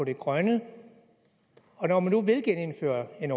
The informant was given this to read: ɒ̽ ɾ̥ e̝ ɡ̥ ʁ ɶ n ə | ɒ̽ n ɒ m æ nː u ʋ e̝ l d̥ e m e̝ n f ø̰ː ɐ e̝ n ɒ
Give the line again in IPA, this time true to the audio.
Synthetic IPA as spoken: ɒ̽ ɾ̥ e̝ ɡ̥ ʁ ɶ n ə | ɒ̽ n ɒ m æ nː u ʋ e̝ l ɡ̥ e n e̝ n f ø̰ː ɐ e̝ n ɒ